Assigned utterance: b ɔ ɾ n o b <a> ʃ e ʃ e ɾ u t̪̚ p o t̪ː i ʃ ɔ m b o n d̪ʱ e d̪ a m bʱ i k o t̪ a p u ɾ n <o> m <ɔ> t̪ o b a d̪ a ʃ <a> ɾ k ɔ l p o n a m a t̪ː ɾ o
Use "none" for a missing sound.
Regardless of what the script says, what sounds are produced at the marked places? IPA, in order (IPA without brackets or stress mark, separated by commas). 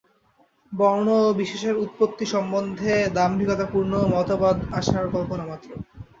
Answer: i, o, ɔ, a